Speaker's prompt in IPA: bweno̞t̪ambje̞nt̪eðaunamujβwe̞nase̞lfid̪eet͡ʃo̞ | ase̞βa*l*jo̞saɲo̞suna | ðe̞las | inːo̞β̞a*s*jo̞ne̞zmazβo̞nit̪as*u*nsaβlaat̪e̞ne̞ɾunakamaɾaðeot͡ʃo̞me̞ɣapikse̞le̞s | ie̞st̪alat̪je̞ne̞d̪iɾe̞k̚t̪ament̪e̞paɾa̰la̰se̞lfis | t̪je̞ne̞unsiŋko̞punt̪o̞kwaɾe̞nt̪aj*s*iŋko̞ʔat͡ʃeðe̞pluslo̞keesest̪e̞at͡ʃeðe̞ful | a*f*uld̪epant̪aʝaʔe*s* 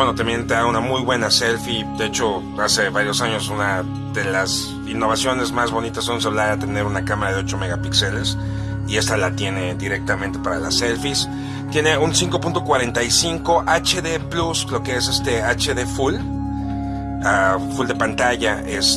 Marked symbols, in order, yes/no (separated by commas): no, yes, no, yes, yes, yes